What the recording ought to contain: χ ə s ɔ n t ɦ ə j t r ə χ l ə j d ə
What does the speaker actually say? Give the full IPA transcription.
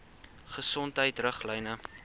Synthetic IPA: χ ə s ɔ n t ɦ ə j t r ə χ l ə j n ə

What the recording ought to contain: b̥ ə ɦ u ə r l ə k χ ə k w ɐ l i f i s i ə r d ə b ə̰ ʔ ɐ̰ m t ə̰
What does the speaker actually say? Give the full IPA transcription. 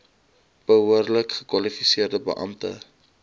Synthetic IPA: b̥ ə ɦ u ə r l ə k χ ə k w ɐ l i f i s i ə r d ə b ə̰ ʔ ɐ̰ m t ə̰

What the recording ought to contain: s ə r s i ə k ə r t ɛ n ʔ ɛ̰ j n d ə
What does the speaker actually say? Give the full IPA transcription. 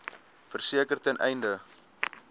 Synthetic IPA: f ə r s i ə k ə r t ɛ n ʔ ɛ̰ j n d ə

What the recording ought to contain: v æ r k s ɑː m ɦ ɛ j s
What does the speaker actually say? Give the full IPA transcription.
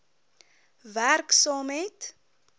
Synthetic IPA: v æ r k s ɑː m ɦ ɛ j t

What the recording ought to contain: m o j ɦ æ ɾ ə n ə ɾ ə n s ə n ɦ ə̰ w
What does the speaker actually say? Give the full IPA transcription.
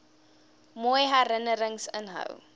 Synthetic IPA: m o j ɦ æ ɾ ə n ə ɾ ə ŋ s ə n ɦ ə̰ w

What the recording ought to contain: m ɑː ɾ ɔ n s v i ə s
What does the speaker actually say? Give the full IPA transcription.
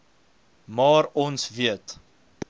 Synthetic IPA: m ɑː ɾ ɔ n s v i ə t

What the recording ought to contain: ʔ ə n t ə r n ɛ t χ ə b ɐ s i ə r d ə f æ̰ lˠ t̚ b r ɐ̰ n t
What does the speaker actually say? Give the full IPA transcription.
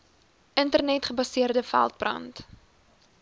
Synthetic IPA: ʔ ə n t ə r n ɛ t χ ə b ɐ s i ə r d ə f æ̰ lˠ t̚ b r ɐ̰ n t

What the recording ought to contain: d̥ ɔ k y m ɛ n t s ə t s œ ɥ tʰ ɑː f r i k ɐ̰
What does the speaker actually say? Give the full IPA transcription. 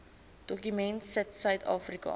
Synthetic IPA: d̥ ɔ k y m ɛ n t s ə t s œ ɥ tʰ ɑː f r i k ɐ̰

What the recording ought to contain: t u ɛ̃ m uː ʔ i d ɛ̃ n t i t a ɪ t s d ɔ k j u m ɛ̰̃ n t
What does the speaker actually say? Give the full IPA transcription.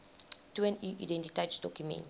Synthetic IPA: t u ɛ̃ n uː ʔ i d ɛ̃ n t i t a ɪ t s d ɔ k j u m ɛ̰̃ n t

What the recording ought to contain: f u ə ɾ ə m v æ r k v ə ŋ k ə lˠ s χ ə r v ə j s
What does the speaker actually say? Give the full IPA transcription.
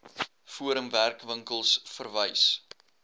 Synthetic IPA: f u ə ɾ ə m v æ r k v ə ŋ k ə lˠ s f ə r v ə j s

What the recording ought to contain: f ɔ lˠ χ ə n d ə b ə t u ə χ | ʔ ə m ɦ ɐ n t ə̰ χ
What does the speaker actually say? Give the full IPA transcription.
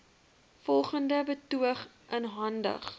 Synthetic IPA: f ɔ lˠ χ ə n d ə b ə t u ə χ | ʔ ə n ɦ ɐ n d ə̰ χ

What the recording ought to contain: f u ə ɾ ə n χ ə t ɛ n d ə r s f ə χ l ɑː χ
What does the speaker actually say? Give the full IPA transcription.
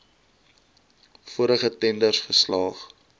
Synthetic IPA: f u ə ɾ ə χ ə t ɛ n d ə r s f ə s l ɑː χ

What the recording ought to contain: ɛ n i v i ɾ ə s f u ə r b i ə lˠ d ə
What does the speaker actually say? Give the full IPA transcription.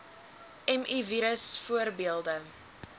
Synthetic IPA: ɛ m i v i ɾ ə s f u ə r b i ə lˠ d ə

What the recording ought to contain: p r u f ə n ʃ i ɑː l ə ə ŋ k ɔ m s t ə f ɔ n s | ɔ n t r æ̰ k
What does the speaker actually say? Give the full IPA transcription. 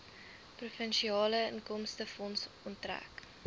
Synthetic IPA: p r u f ə n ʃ i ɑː l ə ə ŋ k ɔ m s t ə f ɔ n s | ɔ n t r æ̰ k

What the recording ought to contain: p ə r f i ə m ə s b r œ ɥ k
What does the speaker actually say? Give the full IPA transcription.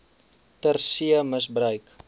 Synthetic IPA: t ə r s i ə m ə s b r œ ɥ k

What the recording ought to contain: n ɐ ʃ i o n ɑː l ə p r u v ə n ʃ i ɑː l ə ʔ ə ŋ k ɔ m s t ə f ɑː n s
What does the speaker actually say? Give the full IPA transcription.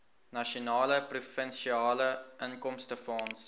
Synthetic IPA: n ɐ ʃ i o n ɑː l ə p r u f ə n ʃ i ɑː l ə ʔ ə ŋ k ɔ m s t ə f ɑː n s

